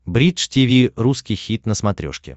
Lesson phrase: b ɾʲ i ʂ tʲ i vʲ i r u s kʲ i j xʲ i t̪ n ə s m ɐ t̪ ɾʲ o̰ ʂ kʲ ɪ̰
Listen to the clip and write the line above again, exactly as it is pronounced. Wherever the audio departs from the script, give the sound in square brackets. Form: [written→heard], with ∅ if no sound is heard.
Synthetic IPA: b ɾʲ i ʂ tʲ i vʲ i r u s kʲ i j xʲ i t̪ n ə s m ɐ t̪ ɾʲ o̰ ʂ kʲ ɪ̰